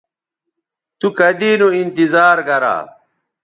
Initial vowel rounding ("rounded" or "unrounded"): rounded